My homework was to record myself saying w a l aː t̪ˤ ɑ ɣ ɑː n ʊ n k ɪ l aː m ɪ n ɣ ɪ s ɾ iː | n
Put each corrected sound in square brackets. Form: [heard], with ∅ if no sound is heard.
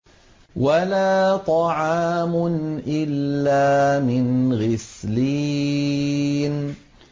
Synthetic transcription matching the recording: w a l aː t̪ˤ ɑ [ʕ] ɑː [m] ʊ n [ʔ] ɪ [lː] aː m ɪ n ɣ ɪ s [l] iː | n